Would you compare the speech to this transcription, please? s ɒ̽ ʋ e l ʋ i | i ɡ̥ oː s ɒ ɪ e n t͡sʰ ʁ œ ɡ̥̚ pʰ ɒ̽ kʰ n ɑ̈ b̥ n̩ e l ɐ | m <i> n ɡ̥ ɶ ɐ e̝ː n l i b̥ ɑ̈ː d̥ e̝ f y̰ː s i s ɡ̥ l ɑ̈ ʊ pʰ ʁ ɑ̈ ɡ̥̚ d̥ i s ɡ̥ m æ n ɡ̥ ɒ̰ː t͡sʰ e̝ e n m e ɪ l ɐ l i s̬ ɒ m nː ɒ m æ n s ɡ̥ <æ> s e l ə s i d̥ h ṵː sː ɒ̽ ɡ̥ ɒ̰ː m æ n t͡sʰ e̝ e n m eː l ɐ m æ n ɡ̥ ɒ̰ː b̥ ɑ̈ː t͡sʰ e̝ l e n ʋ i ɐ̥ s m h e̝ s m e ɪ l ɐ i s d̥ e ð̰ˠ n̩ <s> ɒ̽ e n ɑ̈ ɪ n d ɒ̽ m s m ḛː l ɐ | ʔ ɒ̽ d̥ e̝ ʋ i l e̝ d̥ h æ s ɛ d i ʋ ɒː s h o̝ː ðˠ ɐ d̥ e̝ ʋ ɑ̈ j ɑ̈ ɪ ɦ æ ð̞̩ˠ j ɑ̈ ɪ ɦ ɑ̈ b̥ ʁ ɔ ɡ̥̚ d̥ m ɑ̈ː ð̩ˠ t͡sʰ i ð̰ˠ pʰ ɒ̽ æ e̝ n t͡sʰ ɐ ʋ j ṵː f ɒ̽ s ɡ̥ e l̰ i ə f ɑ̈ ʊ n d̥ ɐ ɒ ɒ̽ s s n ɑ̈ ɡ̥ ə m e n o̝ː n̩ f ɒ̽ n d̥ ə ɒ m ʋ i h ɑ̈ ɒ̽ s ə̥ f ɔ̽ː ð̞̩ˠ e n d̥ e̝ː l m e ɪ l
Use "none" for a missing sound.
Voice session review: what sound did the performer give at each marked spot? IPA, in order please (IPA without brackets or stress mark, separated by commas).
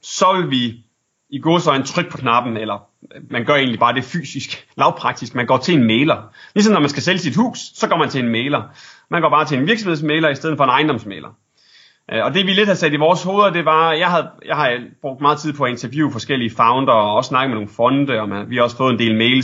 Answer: æ, æ, f